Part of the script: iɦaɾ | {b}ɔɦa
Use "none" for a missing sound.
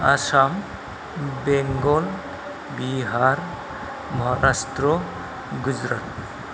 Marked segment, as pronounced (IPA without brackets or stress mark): m